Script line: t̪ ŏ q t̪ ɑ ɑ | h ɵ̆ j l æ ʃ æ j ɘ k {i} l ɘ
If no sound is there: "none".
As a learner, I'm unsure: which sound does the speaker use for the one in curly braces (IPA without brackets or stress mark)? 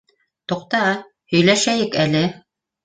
æ